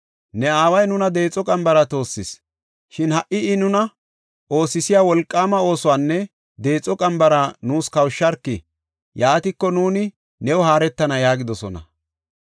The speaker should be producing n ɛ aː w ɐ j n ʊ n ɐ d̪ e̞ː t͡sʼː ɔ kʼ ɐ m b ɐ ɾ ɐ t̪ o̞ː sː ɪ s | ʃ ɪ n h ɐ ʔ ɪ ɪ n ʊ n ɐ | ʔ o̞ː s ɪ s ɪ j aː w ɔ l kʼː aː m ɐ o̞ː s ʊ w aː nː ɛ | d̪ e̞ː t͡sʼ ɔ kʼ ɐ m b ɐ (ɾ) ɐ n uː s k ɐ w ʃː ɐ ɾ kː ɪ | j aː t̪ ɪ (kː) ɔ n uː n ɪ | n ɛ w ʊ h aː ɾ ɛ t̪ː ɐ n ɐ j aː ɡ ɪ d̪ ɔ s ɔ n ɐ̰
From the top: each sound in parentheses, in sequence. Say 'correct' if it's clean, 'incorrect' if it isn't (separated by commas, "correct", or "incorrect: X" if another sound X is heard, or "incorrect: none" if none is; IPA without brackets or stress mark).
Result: correct, correct